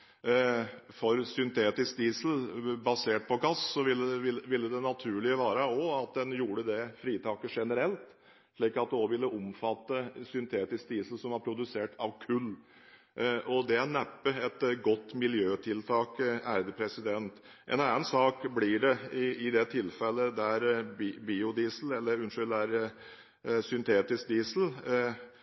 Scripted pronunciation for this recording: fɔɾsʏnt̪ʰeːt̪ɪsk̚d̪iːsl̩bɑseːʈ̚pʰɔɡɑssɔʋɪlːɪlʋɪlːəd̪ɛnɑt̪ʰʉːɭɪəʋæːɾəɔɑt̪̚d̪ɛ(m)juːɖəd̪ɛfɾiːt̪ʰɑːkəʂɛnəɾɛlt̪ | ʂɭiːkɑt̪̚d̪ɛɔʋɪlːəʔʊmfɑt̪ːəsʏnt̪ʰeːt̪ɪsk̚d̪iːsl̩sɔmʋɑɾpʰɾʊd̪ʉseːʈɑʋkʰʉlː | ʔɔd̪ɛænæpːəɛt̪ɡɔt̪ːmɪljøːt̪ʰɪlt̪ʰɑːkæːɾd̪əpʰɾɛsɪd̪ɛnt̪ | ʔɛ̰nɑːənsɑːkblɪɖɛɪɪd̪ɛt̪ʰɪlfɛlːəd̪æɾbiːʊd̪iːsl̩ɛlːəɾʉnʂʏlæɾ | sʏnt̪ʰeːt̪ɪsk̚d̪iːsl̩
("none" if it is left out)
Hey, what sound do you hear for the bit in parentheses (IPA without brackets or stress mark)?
n